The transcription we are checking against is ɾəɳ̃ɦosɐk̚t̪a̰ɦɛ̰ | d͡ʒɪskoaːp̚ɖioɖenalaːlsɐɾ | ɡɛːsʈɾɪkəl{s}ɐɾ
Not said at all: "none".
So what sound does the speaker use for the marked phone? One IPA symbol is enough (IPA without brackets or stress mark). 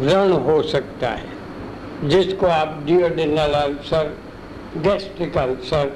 s